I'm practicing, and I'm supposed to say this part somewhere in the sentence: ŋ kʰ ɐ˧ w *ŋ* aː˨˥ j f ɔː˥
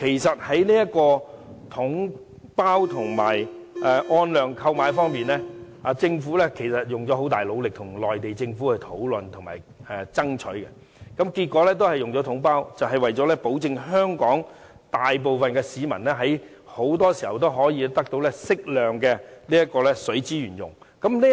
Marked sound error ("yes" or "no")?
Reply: yes